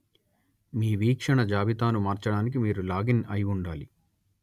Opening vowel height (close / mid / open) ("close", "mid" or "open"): close